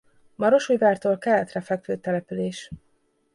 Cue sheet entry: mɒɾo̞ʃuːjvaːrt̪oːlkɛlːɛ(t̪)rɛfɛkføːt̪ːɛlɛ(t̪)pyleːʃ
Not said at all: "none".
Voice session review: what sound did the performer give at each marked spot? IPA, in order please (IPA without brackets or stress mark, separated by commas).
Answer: t̪, none